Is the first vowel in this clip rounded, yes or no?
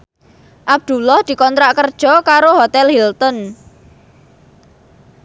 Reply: no